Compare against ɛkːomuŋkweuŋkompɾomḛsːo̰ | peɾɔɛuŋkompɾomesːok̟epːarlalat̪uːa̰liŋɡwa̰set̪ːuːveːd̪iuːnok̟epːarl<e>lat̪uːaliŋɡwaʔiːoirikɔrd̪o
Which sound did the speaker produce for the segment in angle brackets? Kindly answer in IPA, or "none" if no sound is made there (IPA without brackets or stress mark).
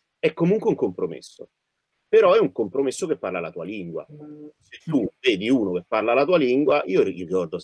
a